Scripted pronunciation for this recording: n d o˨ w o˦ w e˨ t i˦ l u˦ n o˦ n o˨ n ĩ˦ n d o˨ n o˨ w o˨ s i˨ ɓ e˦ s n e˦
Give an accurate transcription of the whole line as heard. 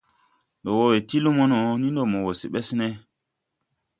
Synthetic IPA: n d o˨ w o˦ w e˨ t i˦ l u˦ m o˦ n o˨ n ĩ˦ n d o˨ m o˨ w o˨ s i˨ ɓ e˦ s n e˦